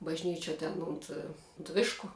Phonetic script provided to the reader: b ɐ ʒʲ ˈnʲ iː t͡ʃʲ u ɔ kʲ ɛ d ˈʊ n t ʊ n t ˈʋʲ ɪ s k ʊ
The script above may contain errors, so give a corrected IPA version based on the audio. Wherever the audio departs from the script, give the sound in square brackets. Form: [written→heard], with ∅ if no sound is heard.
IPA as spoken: b ɐ ʒʲ ˈnʲ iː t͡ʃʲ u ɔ [kʲ→tʲ] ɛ [d→n] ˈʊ n t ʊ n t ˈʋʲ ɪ [s→ʃ] k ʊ

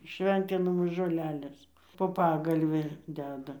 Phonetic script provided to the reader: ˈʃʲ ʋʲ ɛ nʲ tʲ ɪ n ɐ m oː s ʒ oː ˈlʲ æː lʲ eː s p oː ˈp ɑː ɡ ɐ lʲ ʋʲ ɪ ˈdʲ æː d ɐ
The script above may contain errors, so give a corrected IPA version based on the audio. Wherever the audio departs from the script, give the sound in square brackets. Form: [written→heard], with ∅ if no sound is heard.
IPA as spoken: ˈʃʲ ʋʲ ɛ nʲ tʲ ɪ n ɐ m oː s ʒ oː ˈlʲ æː lʲ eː s p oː ˈp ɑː ɡ ɐ lʲ ʋʲ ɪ ˈdʲ æː d ɐ

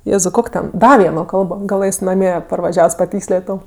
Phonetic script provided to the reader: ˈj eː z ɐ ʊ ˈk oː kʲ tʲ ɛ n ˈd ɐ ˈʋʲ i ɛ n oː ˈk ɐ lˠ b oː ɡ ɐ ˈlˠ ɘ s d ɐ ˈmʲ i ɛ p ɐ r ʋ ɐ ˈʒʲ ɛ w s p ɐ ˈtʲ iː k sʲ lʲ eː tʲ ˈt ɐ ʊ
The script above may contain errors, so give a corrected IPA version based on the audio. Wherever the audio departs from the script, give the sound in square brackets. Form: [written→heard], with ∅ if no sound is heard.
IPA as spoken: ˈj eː z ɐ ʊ ˈk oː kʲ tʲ ɛ n ˈd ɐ ˈʋʲ i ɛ n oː ˈk ɐ lˠ b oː ɡ ɐ ˈlˠ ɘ s [d→n] ɐ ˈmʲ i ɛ p ɐ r ʋ ɐ ˈʒʲ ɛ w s p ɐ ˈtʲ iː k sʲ lʲ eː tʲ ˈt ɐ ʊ

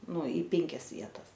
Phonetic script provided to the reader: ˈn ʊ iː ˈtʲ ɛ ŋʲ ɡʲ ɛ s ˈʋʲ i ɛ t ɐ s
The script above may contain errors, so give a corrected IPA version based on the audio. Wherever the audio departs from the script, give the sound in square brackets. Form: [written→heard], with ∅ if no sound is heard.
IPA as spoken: ˈn ʊ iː [ˈtʲ→ˈpʲ] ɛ ŋʲ [ɡʲ→kʲ] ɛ s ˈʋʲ i ɛ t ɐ s

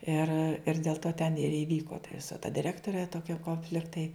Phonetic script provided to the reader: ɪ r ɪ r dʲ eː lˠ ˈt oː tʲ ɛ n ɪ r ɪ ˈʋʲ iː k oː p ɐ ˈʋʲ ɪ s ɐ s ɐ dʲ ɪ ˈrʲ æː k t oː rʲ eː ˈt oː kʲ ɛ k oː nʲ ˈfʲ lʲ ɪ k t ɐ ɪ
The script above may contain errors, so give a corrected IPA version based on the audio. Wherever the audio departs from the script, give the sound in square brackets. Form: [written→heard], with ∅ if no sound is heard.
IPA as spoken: ɪ r ɪ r dʲ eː lˠ ˈt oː tʲ ɛ n ɪ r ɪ ˈʋʲ iː k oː [p→t] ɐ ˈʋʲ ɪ s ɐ [s→t] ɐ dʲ ɪ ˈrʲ æː k t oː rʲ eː ˈt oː kʲ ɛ k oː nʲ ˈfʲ lʲ ɪ k t ɐ ɪ

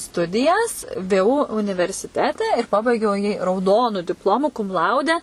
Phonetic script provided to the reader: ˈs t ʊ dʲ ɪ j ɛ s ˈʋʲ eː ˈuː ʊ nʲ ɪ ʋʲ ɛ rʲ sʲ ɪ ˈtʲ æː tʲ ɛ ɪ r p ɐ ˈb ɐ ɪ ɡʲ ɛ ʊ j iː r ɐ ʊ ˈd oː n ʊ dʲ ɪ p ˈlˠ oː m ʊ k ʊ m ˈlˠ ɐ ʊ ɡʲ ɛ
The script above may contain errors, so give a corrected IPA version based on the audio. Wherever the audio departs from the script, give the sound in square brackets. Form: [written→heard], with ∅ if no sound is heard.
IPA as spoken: ˈs t ʊ dʲ ɪ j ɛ s ˈʋʲ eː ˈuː ʊ nʲ ɪ ʋʲ ɛ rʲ sʲ ɪ ˈtʲ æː tʲ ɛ ɪ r p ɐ ˈb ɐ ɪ ɡʲ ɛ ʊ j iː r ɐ ʊ ˈd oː n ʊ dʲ ɪ p ˈlˠ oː m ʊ k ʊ m ˈlˠ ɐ ʊ [ɡʲ→dʲ] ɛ

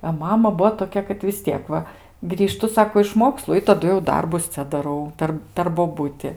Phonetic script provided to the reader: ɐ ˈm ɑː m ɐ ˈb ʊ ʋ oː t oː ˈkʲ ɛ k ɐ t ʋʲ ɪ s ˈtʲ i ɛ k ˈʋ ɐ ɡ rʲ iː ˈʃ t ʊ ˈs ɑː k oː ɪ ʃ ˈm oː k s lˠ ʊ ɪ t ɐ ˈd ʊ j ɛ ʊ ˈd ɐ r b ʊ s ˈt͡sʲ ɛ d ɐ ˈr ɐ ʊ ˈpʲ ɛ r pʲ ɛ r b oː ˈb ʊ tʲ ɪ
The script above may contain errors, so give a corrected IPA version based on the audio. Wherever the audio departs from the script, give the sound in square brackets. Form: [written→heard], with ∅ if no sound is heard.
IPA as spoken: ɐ ˈm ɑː m ɐ ˈb ʊ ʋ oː t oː ˈkʲ ɛ k ɐ t ʋʲ ɪ s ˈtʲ i ɛ k ˈʋ ɐ ɡ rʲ iː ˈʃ t ʊ ˈs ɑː k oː ɪ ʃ ˈm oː k s lˠ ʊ ɪ t ɐ ˈd ʊ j ɛ ʊ ˈd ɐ r b ʊ s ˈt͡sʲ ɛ d ɐ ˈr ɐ ʊ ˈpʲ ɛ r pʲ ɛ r b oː ˈb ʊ tʲ ɪ

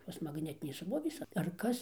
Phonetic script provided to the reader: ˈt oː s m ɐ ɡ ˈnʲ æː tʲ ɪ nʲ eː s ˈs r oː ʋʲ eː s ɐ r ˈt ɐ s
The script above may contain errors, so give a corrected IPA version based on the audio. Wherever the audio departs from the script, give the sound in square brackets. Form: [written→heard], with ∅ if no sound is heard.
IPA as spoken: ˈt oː s m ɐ ɡ ˈnʲ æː tʲ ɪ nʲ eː s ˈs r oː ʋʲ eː s ɐ r [ˈt→ˈk] ɐ s

